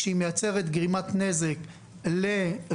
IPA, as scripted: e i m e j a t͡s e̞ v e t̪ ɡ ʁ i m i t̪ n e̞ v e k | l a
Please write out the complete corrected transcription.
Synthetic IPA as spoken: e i m e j a t͡s e̞ ʁ e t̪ ɡ ʁ i m a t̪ n e̞ z e k | l e